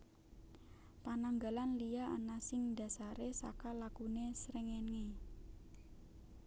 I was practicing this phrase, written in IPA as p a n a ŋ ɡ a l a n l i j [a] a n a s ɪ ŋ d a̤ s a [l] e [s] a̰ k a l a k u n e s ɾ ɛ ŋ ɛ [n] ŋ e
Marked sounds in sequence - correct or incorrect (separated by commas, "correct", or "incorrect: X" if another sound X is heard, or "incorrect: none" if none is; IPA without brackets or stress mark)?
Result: correct, incorrect: ɾ, correct, correct